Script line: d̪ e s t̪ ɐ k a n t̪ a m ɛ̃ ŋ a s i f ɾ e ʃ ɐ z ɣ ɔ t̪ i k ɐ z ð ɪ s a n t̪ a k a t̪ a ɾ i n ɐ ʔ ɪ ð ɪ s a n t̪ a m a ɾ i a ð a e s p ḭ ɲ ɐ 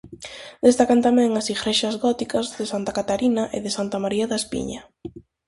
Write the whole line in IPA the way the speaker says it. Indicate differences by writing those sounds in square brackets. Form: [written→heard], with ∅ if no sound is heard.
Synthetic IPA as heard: d̪ e s t̪ [ɐ→a] k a n t̪ a m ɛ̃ ŋ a s i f ɾ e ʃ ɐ z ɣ ɔ t̪ i k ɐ z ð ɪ s a n t̪ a k a t̪ a ɾ i n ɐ ʔ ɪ ð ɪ s a n t̪ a m a ɾ i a ð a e s p ḭ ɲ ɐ

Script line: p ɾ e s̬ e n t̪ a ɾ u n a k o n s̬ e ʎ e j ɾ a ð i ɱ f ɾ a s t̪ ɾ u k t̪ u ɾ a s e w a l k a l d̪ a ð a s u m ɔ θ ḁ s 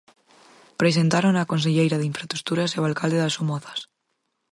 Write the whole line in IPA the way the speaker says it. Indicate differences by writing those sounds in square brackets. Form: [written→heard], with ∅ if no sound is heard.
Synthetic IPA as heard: p ɾ e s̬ e n t̪ a ɾ [u→o] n a k o n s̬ e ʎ e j ɾ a ð i ɱ f ɾ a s t̪ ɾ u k t̪ u ɾ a s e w a l k a l d̪ [a→e] ð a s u m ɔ θ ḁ s

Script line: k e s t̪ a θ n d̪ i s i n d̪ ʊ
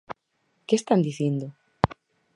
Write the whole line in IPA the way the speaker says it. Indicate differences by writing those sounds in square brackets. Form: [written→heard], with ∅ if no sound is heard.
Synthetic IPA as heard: k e s t̪ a [θ→∅] n d̪ i [s→θ] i n d̪ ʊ

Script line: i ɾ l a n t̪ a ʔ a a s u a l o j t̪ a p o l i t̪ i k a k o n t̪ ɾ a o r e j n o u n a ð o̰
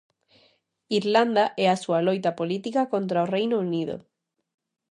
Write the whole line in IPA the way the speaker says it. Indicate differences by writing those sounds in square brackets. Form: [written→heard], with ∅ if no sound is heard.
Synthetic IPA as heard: i ɾ l a n [t̪→d̪] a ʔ [a→ɛ] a s u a l o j t̪ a p o l i t̪ i k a k o n t̪ ɾ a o r e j n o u n [a→i] ð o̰

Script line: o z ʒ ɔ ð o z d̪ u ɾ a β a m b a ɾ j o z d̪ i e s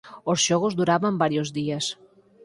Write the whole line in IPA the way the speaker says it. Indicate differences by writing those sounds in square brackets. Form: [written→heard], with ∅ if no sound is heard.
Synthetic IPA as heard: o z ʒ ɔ [ð→ɣ] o z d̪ u ɾ a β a m b a ɾ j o z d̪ i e s

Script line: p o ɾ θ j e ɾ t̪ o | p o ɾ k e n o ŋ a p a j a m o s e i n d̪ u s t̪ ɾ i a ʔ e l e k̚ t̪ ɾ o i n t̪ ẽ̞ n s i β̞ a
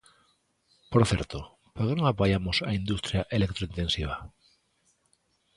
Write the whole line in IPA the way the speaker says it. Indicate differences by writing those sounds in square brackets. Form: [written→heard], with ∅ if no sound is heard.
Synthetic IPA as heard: p o ɾ θ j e ɾ t̪ o | p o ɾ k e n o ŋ a p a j a m o s [e→a] i n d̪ u s t̪ ɾ [i→j] a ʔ e l e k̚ t̪ ɾ o i n t̪ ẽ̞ n s i β̞ a

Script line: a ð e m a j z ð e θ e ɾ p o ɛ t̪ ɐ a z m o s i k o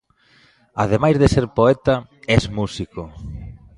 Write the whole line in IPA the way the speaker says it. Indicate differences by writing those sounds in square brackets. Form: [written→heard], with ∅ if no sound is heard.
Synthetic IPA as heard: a ð e m a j z ð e [θ→s] e ɾ p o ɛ t̪ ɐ [a→ɛ] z m [o→u] s i k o

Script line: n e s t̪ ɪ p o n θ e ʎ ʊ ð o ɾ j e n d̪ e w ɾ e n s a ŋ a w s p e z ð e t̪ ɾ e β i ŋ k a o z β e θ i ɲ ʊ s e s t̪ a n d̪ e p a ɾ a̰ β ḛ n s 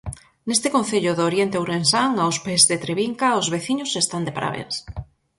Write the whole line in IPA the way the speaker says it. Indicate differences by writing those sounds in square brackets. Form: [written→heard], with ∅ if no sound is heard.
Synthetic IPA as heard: n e s t̪ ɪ [p→k] o n θ e ʎ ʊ ð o ɾ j e n [d̪→t̪] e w ɾ e n s a ŋ a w s p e z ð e t̪ ɾ e β i ŋ k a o z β e θ i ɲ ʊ s e s t̪ a n d̪ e p a ɾ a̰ β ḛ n s

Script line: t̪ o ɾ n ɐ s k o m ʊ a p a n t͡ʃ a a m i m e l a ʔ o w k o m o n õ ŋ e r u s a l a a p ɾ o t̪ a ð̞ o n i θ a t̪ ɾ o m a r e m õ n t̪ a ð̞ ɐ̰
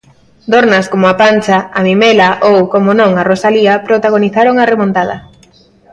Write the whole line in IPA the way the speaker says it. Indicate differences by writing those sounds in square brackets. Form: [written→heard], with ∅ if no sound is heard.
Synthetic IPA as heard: [t̪→d̪] o ɾ n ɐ s k o m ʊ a p a n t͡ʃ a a m i m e l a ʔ o w k o m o n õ ŋ [e→a] r [u→o] s a l [a→i] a p ɾ o t̪ a [ð̞→ɣ̞] o n i θ a [t̪→∅] ɾ o [m→ŋ] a r e m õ n t̪ a ð̞ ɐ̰

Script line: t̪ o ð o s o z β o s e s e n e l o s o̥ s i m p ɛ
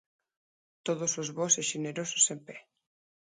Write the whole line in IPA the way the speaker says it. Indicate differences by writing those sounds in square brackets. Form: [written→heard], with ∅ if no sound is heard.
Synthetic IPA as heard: t̪ o ð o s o z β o s e [s→ʃ] e n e [l→ɾ] o s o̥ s [i→e] m p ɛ

